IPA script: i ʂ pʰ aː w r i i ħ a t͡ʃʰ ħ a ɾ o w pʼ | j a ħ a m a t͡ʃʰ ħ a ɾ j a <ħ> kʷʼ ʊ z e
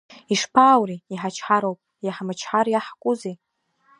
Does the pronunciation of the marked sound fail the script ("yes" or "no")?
no